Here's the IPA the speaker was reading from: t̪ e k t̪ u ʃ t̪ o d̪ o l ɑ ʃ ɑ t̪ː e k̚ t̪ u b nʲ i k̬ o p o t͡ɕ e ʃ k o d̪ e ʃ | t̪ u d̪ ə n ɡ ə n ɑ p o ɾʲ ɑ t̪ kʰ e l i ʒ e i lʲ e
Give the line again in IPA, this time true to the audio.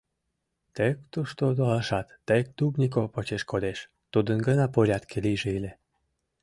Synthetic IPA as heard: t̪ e k t̪ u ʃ t̪ o d̪ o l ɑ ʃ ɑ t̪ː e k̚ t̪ u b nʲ i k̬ o p o t͡ɕ e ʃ k o d̪ e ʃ | t̪ u d̪ ə n ɡ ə n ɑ p o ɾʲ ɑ t̪ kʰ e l i ʒ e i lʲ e

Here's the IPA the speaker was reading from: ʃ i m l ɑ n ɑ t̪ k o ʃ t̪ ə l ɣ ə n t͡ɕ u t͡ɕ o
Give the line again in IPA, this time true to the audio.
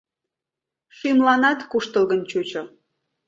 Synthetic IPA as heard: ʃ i m l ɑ n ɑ t̪ k u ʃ t̪ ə l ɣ ə n t͡ɕ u t͡ɕ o

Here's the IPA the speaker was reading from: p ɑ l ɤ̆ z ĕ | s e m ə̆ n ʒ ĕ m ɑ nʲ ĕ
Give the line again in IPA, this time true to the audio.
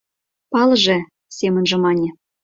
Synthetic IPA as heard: p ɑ l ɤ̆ ʒ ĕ | s e m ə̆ n ʒ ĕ m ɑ nʲ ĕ

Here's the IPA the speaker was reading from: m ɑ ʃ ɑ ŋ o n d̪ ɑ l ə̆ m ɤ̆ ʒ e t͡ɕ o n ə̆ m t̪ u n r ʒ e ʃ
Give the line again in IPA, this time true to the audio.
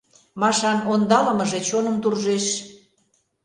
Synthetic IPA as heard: m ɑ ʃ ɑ n o n d̪ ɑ l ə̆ m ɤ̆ ʒ e t͡ɕ o n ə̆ m t̪ u r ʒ e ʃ

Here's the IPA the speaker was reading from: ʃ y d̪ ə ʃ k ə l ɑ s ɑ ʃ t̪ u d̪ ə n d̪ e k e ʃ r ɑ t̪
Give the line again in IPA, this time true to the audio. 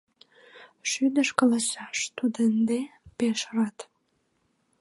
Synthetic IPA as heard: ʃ y d̪ ə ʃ k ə l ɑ s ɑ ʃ t̪ u d̪ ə n d̪ e p e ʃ r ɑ t̪

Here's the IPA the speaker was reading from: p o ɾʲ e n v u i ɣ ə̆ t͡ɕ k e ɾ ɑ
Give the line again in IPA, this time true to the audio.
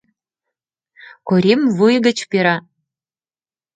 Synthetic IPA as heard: k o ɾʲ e m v u j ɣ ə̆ t͡ɕ p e ɾ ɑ

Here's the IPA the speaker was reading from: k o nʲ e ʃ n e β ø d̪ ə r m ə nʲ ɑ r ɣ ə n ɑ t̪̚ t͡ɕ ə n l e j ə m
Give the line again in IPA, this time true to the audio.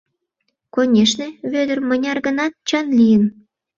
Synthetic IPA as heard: k o nʲ e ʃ n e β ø d̪ ə r m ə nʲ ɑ r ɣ ə n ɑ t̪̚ t͡ɕ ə n l i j ə n

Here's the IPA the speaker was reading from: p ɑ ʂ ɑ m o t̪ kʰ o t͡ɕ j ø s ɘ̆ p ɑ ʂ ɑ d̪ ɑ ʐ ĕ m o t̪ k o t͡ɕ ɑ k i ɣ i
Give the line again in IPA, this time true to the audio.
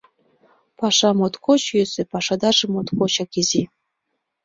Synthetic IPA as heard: p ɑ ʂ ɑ m o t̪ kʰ o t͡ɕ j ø s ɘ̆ p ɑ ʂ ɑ d̪ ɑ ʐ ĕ m o t̪ k o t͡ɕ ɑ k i z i

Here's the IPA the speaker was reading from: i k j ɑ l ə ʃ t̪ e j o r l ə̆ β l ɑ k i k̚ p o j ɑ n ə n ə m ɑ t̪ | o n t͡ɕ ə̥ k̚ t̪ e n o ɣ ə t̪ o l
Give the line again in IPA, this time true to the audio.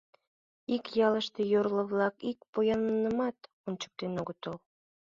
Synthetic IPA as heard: i k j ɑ l ə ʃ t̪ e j o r l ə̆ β l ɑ k i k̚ p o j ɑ n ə n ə m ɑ t̪ | o n t͡ɕ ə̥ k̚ t̪ e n o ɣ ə t̪ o l

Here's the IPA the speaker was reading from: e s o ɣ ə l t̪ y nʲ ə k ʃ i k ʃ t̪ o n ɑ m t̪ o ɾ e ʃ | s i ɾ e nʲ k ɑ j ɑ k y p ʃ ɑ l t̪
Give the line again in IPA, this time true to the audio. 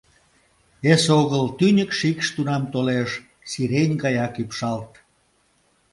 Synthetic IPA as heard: e s o ɣ ə l t̪ y nʲ ə k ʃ i k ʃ t̪ u n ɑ m t̪ o l e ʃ | s i ɾ e nʲ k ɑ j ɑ k y p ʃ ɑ l t̪

